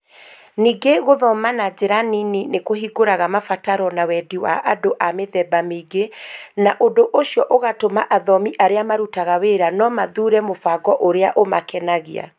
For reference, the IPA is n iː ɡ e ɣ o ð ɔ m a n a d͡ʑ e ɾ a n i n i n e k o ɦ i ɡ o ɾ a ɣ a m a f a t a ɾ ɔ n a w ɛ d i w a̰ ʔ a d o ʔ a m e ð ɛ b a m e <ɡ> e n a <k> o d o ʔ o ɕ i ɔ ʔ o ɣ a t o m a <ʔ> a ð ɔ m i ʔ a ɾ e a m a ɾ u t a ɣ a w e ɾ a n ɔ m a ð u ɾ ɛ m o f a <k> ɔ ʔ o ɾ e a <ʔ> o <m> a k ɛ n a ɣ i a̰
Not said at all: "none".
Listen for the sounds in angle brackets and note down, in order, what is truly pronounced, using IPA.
ɡ, ʔ, ʔ, ɡ, ʔ, m

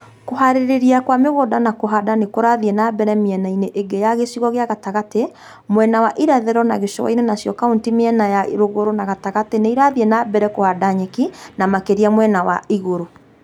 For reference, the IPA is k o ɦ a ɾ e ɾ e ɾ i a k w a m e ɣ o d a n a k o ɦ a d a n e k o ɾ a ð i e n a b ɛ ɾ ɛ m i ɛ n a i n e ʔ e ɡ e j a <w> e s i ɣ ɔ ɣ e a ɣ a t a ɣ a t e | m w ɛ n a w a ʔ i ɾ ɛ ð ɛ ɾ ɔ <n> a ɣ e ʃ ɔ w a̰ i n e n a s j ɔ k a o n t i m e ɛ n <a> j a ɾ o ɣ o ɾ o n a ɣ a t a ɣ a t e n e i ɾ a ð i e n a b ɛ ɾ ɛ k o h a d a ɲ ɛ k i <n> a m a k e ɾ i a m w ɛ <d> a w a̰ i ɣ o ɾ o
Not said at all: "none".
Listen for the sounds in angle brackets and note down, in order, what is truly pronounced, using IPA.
ɣ, n, a, n, n

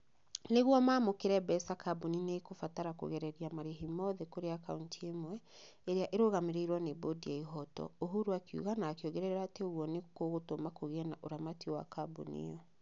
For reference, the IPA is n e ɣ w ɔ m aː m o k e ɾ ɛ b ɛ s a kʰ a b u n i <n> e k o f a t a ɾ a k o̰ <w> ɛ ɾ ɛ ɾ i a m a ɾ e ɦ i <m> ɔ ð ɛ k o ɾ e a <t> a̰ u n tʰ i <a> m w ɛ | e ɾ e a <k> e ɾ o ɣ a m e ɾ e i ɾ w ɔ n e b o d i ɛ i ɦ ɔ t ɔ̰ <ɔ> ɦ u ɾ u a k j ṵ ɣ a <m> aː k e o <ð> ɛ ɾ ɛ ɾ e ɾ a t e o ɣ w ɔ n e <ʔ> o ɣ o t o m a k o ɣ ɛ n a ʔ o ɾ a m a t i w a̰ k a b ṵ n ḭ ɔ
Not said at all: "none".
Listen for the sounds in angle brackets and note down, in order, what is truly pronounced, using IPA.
n, ɣ, m, k, e, ʔ, o, n, ɣ, k

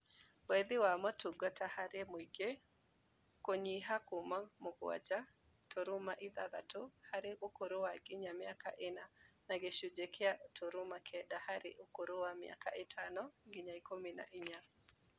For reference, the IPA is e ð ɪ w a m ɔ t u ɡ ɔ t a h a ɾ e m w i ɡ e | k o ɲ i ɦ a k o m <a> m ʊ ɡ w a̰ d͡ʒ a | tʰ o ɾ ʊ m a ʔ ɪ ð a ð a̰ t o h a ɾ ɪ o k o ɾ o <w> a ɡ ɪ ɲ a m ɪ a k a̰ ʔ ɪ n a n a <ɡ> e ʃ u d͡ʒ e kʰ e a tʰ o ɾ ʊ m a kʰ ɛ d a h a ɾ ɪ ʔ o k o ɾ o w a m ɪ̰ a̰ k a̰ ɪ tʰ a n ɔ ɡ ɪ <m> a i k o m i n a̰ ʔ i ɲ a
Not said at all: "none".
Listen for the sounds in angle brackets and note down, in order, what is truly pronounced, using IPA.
a, w, ɡ, ɲ

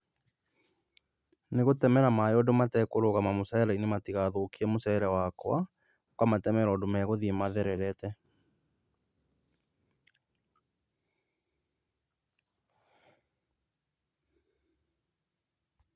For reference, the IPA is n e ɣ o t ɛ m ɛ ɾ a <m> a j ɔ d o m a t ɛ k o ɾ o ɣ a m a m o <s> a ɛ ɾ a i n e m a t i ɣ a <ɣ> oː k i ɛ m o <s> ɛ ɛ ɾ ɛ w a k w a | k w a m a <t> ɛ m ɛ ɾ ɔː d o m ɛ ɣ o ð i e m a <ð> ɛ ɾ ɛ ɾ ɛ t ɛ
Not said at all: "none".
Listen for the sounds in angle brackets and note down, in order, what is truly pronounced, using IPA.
m, s, ð, s, t, ð

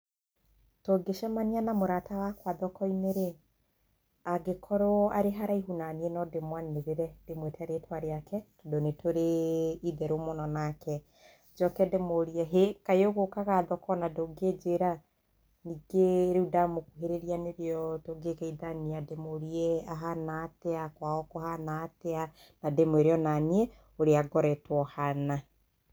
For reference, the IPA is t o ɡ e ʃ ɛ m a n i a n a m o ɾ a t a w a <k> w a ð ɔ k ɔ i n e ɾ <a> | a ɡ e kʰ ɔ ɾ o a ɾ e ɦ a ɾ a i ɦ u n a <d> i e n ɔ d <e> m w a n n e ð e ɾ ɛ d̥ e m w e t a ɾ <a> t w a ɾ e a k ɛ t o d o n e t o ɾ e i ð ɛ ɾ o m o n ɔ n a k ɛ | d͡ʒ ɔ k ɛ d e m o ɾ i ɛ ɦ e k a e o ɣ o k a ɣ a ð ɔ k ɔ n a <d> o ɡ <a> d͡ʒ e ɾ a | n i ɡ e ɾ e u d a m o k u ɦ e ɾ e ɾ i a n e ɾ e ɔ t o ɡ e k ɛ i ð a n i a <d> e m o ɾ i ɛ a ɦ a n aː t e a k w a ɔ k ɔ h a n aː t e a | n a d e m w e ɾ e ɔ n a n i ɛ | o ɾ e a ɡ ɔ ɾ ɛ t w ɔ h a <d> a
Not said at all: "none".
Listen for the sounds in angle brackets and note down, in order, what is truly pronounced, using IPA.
k, e, n, e, e, d, e, d, n

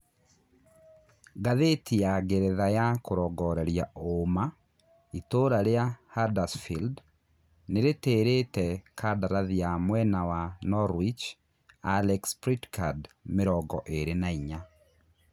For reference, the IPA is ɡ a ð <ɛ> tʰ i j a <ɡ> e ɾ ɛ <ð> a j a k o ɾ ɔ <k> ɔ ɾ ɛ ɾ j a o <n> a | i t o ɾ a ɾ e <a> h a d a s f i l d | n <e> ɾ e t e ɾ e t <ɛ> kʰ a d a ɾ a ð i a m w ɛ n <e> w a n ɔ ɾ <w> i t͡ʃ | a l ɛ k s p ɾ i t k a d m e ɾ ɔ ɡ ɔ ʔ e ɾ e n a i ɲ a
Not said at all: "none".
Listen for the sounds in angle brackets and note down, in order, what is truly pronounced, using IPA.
e, ɡ, ð, ɡ, m, a, e, ɛ, a, w

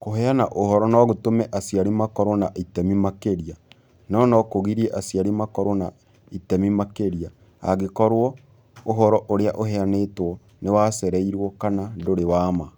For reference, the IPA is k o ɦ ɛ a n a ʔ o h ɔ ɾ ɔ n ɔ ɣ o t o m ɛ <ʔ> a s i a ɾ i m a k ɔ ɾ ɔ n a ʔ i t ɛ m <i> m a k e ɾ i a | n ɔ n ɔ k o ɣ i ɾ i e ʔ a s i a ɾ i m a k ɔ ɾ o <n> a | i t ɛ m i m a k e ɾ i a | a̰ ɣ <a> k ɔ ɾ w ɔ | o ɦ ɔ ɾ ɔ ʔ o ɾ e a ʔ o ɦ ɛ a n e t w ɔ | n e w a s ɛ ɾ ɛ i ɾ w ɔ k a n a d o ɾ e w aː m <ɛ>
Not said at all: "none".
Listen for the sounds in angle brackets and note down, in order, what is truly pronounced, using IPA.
ʔ, i, n, e, a

